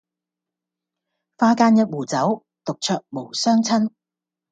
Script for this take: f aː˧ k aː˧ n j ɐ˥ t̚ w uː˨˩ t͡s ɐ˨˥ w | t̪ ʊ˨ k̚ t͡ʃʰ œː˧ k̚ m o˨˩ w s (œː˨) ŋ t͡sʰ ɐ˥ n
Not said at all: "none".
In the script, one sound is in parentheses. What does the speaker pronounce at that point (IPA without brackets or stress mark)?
œː˥